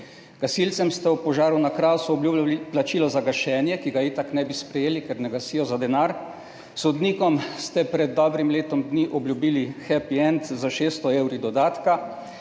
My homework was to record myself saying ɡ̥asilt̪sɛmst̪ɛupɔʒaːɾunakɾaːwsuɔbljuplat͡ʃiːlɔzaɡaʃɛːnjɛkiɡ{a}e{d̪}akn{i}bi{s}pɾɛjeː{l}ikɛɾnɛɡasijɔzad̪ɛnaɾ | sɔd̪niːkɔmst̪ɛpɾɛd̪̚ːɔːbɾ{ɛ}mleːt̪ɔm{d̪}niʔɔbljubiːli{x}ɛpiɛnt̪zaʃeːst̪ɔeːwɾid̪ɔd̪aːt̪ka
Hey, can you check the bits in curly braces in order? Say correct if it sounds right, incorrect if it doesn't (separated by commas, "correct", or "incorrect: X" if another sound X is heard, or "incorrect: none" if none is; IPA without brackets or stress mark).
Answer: correct, incorrect: t̪, incorrect: ɛ, correct, correct, incorrect: i, correct, correct